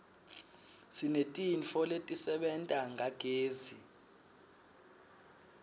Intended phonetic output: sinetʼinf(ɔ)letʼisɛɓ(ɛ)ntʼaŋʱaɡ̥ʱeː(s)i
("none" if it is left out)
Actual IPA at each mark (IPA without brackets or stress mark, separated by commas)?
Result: ɔ, ɛ, z